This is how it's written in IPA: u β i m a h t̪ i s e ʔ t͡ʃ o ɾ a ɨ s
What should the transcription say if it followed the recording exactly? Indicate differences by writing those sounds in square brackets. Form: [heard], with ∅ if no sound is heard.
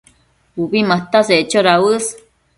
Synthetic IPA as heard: u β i m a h t̪ [a] s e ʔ t͡ʃ o ɾ a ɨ s